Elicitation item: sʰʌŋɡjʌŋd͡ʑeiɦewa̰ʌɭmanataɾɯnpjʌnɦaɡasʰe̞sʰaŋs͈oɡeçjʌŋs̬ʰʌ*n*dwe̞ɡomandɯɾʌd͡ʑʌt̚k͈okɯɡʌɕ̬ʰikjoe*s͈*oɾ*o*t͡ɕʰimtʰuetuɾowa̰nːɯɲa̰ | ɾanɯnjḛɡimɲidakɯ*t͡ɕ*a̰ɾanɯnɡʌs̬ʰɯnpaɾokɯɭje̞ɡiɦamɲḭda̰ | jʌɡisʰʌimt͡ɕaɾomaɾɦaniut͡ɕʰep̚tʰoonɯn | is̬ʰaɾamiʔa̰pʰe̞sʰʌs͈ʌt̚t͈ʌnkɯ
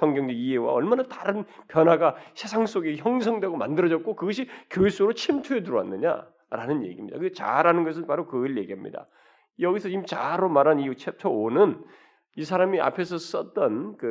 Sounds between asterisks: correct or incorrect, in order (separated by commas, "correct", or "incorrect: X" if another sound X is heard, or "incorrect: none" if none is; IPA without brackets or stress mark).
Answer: incorrect: ŋ, correct, correct, correct